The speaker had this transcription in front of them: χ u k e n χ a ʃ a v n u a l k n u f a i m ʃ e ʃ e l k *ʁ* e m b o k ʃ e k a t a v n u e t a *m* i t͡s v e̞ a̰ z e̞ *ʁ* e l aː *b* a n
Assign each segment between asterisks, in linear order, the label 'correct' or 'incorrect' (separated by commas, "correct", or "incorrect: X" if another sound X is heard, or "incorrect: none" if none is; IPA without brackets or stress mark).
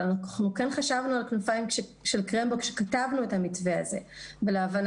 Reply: correct, correct, incorrect: v, incorrect: v